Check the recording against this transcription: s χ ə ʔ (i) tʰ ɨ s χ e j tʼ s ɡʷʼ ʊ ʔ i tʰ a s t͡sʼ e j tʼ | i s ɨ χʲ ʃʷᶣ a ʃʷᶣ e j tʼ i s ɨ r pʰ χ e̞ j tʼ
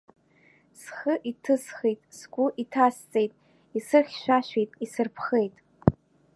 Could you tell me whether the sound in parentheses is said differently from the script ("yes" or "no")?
no